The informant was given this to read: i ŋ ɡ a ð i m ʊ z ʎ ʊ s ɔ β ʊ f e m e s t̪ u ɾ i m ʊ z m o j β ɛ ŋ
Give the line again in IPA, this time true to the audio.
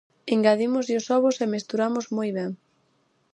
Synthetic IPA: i ŋ ɡ a ð i m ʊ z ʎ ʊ s ɔ β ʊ s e m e s t̪ u ɾ a m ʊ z m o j β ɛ ŋ